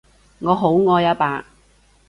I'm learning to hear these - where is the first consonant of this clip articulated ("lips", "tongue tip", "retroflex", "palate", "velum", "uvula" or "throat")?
velum